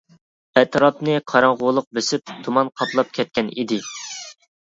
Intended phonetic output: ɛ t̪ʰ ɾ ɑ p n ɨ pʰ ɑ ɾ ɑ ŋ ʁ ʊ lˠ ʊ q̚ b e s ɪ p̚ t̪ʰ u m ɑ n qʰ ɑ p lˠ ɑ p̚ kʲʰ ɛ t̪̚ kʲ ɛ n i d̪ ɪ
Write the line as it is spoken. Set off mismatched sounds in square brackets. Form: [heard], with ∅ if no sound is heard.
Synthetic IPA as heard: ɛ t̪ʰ ɾ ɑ p n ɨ [qʰ] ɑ ɾ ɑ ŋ ʁ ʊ lˠ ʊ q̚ b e s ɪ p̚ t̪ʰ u m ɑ n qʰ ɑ p lˠ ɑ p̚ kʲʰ ɛ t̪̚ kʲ ɛ n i d̪ ɪ